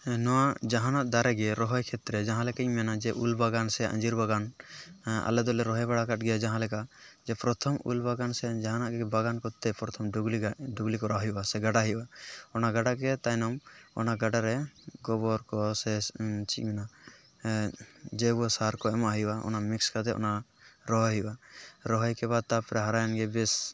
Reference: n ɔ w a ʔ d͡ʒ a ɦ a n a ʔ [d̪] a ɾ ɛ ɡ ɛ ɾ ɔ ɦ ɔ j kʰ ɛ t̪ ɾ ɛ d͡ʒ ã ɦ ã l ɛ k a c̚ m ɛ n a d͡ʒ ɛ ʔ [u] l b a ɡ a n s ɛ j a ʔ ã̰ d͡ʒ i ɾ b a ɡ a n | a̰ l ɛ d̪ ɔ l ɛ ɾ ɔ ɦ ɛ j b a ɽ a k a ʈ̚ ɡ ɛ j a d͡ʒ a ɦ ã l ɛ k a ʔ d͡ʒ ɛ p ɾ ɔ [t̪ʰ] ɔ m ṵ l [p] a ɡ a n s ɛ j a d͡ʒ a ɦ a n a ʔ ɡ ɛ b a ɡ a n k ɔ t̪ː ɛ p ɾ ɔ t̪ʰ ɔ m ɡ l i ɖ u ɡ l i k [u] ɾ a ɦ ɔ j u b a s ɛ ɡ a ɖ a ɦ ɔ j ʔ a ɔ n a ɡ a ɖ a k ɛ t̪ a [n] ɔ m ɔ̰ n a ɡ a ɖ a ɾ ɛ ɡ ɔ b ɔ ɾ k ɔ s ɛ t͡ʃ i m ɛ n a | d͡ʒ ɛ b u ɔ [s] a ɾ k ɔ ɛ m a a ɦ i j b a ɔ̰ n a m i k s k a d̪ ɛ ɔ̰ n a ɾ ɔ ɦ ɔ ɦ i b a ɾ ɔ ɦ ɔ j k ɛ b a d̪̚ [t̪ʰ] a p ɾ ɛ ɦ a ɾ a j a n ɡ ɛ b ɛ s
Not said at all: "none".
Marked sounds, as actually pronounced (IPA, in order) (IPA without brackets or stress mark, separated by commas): d̪, u, t̪ʰ, b, ɔ, n, s, t̪